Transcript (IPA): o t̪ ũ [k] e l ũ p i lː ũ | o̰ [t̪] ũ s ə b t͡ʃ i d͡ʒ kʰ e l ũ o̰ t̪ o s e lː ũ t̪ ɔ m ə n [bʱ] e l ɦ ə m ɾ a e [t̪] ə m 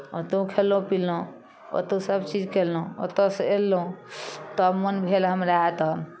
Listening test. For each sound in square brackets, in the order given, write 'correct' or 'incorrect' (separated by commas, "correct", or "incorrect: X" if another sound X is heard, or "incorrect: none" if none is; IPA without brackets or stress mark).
incorrect: kʰ, correct, correct, correct